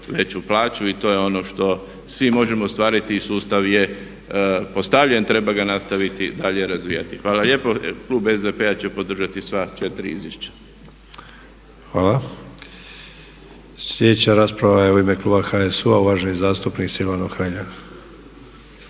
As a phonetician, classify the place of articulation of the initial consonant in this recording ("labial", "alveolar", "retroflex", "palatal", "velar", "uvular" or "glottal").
labial